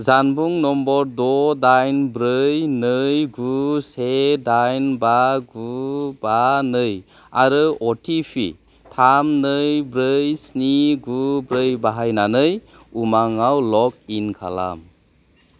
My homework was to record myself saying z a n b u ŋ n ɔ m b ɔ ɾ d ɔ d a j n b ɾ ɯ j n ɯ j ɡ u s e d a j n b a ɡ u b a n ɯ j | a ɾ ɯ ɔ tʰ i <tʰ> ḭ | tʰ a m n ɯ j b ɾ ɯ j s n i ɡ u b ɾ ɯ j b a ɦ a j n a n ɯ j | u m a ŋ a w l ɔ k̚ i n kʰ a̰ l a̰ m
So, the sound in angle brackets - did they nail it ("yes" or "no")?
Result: no